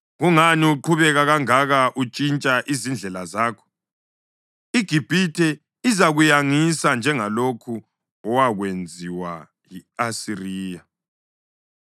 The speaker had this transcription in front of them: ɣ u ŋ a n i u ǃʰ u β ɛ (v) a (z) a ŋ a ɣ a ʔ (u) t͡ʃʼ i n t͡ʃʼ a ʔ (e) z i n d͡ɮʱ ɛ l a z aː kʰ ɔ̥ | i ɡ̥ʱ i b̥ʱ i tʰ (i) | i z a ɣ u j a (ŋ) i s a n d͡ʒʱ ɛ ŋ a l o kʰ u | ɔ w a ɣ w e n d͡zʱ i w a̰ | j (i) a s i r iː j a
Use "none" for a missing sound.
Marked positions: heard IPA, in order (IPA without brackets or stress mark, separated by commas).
ɣ, ɣ, u, i, ɛ, ŋ, i